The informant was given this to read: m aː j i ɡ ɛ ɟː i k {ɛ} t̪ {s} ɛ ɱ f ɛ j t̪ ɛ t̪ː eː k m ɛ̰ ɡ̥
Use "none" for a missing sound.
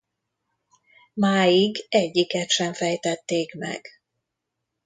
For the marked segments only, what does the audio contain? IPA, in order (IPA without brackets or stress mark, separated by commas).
ɛ, ʃ